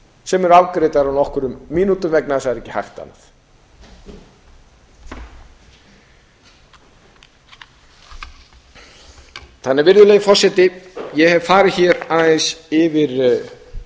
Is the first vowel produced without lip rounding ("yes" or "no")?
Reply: yes